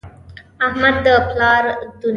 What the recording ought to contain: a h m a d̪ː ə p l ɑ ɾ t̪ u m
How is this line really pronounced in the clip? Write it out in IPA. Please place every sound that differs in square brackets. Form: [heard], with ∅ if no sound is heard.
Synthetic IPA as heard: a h m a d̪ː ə p l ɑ ɾ [d̪] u [n]